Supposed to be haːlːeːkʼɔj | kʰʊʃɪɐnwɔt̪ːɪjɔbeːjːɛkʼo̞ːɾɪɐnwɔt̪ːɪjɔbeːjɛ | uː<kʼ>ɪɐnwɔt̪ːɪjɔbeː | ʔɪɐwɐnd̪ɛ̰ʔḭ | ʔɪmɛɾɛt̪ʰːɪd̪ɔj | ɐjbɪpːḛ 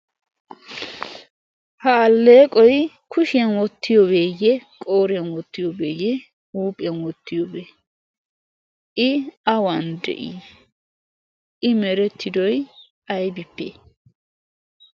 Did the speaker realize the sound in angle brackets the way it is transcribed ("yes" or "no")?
no